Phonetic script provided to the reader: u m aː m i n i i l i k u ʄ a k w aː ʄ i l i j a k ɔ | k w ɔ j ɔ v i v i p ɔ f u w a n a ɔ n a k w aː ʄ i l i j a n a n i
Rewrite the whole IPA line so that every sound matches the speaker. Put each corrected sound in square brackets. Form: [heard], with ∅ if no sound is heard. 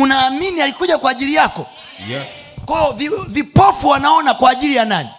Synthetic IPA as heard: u [n] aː m i n i [a] l i k u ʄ a k w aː ʄ i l i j a k ɔ | k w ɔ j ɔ v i v i p ɔ f u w a n a ɔ n a k w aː ʄ i l i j a n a n i